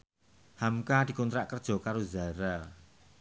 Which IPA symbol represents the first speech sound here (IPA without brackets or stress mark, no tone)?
h